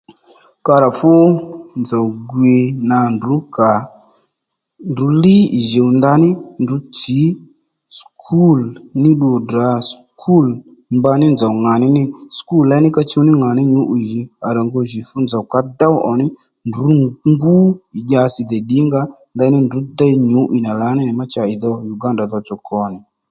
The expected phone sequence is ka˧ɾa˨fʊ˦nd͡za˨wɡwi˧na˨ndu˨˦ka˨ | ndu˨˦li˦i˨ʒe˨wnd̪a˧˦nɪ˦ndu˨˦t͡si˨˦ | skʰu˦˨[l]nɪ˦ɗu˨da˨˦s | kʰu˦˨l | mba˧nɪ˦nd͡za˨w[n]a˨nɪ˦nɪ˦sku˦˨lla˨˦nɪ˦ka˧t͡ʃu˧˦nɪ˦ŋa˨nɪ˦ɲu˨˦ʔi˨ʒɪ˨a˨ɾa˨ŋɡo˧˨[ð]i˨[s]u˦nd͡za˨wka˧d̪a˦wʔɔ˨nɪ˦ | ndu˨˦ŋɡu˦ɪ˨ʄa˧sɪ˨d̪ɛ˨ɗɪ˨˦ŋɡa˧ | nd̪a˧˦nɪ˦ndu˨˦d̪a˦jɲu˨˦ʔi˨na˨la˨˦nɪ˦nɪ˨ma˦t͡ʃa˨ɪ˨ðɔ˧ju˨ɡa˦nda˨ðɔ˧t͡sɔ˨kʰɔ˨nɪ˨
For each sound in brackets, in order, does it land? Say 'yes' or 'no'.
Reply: yes, no, no, no

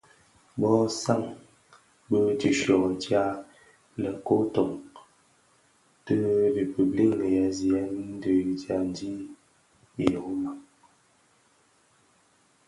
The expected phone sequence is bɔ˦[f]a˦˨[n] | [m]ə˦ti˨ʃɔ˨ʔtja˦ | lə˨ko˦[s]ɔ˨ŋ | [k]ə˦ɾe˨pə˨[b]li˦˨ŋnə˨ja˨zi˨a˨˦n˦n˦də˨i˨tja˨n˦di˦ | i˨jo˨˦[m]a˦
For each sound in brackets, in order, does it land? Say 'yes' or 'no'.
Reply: no, no, no, no, no, yes, yes

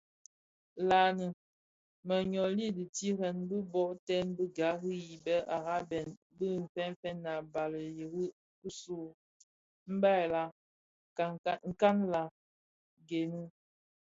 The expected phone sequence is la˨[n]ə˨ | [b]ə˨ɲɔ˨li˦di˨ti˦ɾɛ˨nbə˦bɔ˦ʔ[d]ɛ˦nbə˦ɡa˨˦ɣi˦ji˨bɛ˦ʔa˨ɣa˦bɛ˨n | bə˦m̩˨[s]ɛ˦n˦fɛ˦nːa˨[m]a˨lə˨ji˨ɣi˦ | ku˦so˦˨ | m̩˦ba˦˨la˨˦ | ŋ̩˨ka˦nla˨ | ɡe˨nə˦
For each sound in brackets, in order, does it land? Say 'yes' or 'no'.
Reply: yes, no, no, no, no

